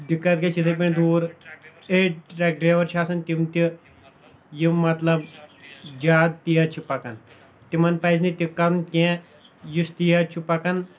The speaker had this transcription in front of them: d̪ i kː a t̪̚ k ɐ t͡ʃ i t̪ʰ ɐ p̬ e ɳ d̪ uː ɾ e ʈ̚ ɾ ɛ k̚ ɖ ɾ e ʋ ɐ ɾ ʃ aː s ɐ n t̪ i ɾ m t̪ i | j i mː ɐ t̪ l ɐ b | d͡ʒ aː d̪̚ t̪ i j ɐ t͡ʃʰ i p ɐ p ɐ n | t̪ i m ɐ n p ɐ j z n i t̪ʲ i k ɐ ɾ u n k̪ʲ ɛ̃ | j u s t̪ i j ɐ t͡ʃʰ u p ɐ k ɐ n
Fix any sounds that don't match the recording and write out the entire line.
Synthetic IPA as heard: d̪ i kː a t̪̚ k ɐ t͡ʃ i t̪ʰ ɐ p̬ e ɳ d̪ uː ɾ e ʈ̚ ɾ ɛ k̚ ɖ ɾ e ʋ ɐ ɾ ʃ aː s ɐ n t̪ i m t̪ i | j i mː ɐ t̪ l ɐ b | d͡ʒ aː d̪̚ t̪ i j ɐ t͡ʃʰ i p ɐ k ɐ n | t̪ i m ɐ n p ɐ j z n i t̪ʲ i k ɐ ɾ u n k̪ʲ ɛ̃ | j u s t̪ i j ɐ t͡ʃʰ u p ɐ k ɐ n